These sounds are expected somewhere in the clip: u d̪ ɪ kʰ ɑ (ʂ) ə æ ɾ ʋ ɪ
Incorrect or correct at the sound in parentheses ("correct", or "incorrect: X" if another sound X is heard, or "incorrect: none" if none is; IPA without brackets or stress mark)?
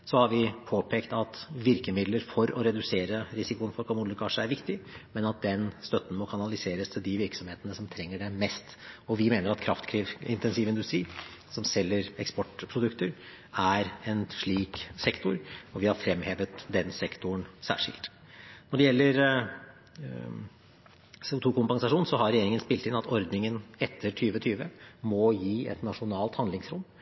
correct